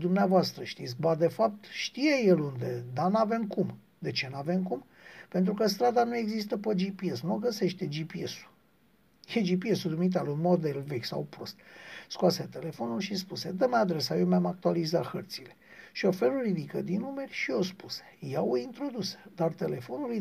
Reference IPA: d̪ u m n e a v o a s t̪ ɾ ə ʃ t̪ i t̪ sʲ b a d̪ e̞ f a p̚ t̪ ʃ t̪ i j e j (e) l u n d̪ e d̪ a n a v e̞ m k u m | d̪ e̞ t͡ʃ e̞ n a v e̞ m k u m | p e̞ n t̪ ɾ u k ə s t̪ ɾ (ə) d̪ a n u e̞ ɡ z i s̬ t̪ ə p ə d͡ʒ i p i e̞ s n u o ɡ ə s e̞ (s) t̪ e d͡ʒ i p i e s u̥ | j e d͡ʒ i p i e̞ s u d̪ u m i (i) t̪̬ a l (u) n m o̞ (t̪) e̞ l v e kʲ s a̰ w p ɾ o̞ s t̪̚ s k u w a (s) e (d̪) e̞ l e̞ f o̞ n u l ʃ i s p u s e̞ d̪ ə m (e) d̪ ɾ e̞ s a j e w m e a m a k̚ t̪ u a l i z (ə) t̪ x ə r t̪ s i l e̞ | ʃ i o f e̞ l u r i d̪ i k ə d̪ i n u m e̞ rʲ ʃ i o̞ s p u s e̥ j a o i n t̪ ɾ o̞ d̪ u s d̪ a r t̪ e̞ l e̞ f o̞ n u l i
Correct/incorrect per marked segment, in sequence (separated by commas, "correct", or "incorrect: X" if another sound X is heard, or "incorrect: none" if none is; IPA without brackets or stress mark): correct, incorrect: a, incorrect: ʃ, correct, correct, incorrect: d̪, correct, incorrect: t̪, incorrect: a, incorrect: a